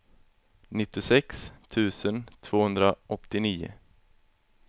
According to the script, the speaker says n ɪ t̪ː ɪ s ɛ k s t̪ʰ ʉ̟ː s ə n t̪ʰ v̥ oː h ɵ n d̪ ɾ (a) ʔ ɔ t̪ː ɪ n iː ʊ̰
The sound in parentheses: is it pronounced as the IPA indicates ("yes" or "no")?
yes